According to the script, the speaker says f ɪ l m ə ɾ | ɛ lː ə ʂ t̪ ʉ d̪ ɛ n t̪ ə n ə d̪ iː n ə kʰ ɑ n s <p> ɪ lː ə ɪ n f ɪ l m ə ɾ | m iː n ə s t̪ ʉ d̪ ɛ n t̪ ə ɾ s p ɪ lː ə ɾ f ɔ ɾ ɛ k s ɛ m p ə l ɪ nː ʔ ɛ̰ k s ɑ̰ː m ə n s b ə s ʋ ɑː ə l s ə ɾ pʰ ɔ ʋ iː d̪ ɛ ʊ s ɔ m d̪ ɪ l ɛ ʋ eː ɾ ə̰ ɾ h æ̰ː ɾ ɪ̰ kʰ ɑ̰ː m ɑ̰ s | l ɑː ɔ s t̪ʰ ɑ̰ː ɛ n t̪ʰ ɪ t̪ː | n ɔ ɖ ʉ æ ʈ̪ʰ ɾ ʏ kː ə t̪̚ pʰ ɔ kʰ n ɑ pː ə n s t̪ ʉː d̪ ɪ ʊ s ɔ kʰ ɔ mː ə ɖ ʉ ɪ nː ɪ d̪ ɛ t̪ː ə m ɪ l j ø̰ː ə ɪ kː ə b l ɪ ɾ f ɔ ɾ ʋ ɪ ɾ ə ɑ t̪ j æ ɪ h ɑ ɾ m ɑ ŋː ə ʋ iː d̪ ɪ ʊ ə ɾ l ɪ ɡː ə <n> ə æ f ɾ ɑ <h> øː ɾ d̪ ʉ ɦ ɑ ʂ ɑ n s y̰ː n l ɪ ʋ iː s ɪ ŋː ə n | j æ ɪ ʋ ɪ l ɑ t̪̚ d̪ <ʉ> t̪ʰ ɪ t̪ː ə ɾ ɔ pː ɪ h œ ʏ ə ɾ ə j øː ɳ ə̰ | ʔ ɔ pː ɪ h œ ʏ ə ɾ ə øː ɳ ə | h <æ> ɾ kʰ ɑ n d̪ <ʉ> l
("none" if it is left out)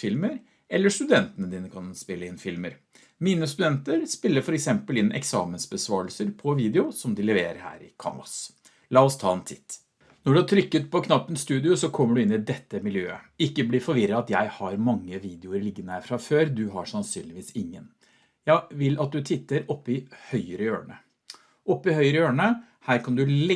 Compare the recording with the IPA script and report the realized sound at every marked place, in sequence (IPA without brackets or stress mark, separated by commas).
p, n, f, ʉ, æː, ʉ